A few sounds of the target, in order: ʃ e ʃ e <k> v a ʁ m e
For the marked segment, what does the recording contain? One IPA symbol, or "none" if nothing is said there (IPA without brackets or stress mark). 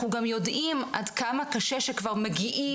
k